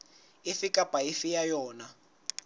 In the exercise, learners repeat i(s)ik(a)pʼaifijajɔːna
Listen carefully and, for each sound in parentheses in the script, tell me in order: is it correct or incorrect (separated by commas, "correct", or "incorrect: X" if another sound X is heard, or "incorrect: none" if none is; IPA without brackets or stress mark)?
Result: incorrect: f, correct